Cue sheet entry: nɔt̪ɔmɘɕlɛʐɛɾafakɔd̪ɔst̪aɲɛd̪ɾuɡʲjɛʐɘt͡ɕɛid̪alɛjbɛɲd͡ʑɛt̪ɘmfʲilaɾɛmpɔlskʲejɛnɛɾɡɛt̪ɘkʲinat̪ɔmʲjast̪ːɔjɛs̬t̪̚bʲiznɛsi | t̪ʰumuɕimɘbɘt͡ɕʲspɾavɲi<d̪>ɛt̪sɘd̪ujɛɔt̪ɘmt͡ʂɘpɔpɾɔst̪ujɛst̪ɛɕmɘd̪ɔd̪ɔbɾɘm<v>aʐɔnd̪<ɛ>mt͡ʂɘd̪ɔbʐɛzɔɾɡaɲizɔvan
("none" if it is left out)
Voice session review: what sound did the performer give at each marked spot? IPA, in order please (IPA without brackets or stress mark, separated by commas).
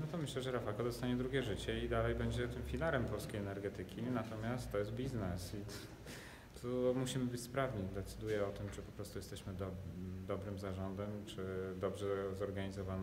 d̪, z, ɛ